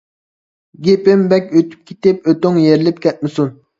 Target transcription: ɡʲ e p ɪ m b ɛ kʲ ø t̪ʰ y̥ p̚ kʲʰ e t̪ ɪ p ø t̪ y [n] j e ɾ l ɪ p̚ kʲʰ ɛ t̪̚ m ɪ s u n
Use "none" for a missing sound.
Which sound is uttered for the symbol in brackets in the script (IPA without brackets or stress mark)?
ŋ